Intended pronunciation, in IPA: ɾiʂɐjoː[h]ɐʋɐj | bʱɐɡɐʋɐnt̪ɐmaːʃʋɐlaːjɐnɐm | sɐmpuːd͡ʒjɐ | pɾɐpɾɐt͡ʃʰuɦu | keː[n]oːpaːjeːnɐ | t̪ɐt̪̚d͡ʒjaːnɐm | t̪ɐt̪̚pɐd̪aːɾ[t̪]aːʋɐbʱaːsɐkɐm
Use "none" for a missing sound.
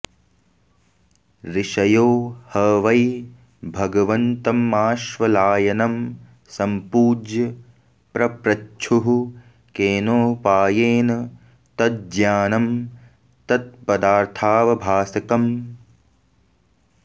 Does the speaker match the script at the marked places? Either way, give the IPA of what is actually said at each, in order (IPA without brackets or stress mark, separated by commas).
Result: h, n, t̪ʰ